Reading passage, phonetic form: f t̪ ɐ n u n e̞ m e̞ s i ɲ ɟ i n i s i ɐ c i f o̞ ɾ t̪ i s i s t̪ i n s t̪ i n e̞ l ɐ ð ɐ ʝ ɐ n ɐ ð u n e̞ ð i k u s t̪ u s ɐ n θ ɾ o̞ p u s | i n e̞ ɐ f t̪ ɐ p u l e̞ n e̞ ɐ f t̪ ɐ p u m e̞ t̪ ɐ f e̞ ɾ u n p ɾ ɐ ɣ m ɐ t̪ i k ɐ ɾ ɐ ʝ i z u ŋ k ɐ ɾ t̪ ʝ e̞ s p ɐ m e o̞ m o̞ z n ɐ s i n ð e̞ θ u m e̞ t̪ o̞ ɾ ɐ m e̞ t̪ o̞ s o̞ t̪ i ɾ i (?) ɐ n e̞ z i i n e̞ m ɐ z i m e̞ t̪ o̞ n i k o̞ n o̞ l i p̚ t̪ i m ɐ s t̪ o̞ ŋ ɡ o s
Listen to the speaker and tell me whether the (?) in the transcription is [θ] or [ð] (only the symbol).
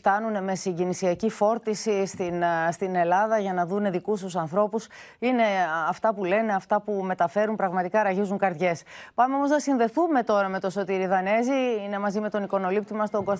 ð